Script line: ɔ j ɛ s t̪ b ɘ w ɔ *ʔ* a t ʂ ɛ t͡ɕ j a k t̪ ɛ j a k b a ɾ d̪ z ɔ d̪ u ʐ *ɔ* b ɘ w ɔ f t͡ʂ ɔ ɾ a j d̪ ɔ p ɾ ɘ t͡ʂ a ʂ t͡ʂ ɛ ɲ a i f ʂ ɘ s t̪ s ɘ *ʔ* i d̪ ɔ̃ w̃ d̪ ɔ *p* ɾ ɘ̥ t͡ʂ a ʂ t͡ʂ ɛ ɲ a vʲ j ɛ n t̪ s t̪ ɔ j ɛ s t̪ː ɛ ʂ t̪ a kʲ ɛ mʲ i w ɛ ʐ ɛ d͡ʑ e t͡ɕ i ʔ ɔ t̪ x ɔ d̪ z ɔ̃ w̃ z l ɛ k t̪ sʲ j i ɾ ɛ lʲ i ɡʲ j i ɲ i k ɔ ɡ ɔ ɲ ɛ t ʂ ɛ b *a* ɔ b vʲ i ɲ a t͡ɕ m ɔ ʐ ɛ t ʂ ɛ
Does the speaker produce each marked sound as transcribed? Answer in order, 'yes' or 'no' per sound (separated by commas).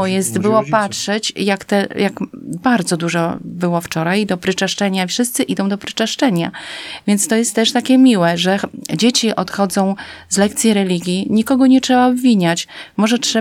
no, yes, yes, yes, yes